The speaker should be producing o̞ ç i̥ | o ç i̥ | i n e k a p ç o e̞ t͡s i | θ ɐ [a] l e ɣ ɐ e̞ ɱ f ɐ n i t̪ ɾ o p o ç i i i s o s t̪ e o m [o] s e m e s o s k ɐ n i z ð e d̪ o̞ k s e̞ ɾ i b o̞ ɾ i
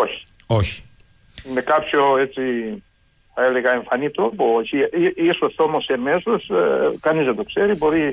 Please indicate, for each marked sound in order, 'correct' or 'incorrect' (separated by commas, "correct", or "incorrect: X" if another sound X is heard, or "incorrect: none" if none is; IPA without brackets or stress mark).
incorrect: e, correct